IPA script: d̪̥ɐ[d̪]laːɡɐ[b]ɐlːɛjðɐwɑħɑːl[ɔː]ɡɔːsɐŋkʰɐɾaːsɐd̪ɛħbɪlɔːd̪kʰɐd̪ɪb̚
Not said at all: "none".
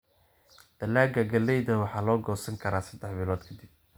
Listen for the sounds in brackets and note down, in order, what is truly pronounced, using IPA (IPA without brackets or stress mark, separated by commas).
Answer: none, ɡ, ɔː